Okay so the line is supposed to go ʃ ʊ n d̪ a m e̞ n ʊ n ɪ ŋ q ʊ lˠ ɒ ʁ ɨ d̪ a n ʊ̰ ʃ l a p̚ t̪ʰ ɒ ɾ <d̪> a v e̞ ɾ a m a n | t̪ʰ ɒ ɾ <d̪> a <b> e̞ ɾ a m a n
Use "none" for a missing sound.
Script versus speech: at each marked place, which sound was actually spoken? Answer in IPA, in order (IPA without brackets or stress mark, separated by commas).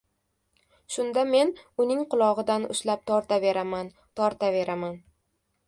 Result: t̪, t̪, v